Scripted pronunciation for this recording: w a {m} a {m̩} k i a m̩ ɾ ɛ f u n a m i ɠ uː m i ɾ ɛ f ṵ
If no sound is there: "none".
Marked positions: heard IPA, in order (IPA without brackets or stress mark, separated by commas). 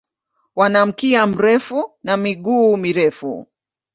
n, m̩